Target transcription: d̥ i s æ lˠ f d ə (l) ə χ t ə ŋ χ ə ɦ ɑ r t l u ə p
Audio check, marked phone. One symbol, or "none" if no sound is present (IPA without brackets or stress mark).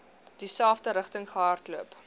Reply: ɾ